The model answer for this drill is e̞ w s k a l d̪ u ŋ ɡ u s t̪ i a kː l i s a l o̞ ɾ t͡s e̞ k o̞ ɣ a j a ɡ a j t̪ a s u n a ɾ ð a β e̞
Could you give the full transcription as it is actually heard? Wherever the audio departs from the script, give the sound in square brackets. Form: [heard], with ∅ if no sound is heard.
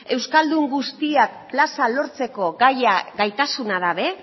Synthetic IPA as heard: e̞ w s k a l d̪ u ŋ ɡ u s t̪ i a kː l [a] s a l o̞ ɾ t͡s e̞ k o̞ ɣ a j a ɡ a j t̪ a s u n a [∅] ð a β e̞